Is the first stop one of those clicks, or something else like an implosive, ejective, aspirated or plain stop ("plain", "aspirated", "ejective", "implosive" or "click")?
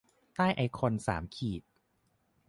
plain